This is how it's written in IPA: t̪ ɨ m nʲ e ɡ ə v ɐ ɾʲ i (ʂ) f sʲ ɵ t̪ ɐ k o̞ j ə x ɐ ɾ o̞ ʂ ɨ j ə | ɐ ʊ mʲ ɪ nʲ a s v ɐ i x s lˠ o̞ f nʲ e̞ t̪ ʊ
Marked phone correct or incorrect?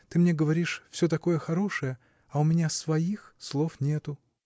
correct